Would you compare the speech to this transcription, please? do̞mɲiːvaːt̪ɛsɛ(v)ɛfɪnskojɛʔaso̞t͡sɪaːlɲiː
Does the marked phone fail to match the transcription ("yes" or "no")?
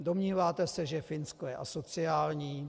yes